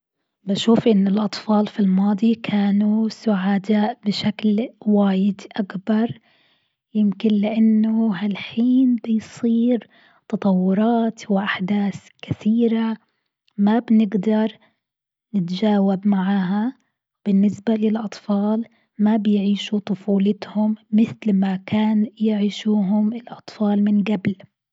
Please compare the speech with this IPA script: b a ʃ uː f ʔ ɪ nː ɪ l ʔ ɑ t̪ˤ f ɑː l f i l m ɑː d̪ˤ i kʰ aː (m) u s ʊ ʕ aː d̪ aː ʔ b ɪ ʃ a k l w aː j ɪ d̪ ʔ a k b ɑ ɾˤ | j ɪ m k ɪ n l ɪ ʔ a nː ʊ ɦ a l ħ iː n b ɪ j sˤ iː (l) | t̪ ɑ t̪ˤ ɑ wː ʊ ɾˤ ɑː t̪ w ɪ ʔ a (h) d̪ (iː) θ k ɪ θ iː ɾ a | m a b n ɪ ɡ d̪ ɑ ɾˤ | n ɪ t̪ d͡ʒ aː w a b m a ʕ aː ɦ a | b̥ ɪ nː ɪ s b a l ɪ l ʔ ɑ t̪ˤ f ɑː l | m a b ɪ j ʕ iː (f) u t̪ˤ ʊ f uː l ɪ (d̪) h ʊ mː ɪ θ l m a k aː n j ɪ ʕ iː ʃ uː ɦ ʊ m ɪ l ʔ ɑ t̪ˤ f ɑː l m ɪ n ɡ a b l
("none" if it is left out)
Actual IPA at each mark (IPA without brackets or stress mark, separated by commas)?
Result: n, ɾ, ħ, aː, ʃ, t̪